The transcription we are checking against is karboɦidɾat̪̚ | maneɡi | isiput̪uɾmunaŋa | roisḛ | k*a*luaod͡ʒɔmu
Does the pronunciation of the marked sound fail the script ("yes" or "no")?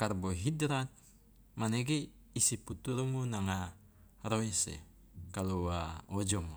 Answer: no